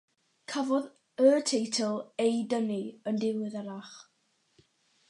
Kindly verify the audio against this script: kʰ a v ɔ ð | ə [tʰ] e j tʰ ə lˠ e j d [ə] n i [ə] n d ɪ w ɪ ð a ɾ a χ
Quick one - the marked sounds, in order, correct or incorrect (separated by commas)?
correct, correct, correct